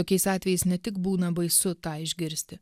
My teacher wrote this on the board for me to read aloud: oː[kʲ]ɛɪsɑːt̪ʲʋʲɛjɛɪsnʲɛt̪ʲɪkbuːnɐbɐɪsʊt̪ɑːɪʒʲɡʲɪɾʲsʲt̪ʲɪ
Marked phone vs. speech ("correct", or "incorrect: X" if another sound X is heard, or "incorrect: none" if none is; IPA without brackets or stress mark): correct